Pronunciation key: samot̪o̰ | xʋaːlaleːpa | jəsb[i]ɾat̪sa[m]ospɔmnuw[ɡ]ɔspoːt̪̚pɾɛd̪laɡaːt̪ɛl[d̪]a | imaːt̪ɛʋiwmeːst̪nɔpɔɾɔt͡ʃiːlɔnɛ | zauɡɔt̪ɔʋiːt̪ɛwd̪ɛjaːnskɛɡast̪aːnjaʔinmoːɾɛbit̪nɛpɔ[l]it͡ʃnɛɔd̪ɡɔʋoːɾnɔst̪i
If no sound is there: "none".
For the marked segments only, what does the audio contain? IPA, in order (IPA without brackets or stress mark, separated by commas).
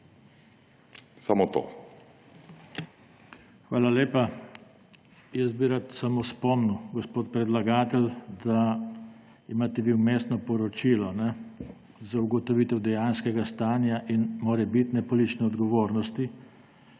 i, m, ɡ, d̪, l